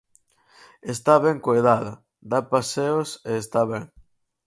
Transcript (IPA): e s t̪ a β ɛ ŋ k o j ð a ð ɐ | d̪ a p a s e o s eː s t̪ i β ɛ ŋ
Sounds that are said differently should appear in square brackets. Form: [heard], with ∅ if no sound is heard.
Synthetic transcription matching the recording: e s t̪ a β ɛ ŋ k o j ð a ð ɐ | d̪ a p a s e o s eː s t̪ [a] β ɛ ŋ